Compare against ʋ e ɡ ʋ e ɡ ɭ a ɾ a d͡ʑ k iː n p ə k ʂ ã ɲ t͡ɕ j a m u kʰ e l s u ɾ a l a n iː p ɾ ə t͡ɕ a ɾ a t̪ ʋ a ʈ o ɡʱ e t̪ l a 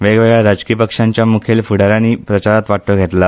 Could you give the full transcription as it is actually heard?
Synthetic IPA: ʋ e ɡ ʋ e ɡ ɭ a ɾ a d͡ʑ k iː p ə k ʂ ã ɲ t͡ɕ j a m u kʰ e l f u ɽ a ɾ a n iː p ɾ ə t͡ɕ a ɾ a t̪ ʋ a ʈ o ɡʱ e t̪ l a